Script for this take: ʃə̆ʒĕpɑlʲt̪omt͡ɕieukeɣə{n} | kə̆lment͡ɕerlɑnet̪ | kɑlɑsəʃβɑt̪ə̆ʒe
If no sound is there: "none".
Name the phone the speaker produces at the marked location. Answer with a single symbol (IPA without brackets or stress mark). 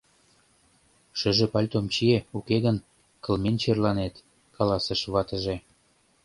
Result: n